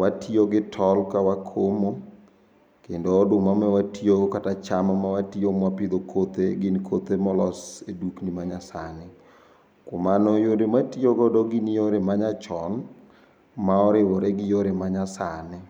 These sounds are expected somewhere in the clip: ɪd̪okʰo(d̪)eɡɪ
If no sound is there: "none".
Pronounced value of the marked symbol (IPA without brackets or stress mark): t̪